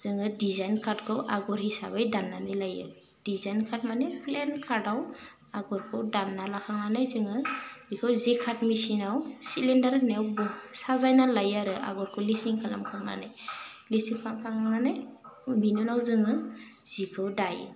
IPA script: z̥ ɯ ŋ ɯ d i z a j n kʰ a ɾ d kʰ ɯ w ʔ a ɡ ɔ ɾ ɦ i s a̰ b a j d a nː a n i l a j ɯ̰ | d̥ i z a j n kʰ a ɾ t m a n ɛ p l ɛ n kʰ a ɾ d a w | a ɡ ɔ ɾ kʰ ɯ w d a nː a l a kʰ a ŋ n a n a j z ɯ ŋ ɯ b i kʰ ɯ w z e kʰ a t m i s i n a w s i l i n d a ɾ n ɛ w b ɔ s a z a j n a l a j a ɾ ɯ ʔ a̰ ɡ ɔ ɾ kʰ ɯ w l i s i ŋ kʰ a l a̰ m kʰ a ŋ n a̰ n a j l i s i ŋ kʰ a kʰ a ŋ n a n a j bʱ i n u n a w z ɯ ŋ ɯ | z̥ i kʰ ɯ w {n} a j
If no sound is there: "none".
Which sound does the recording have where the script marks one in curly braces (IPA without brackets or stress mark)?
d